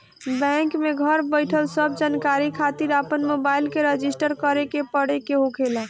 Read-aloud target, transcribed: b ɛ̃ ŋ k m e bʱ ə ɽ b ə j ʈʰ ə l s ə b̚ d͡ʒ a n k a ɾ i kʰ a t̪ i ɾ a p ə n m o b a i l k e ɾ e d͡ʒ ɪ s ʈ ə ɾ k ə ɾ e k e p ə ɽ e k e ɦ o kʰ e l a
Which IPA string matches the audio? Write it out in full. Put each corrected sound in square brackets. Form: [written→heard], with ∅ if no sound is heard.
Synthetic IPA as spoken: b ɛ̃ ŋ k m e [bʱ→ɡʱ] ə [ɽ→ɾ] b ə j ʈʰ ə l s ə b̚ d͡ʒ a n k a ɾ i kʰ a t̪ i ɾ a p ə n m o b a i l k e ɾ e d͡ʒ [ɪ→i] s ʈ ə ɾ k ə ɾ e k e p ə ɽ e k e ɦ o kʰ e l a